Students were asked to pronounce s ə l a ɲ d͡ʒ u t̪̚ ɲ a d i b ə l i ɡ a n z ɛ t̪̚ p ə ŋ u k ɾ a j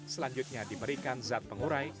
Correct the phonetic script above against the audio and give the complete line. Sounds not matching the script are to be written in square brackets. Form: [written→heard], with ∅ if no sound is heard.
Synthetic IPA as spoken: s ə l a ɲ d͡ʒ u t̪̚ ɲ a d i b ə [l→ɾ] i [ɡ→k] a n z [ɛ→a] t̪̚ p ə ŋ u [k→∅] ɾ a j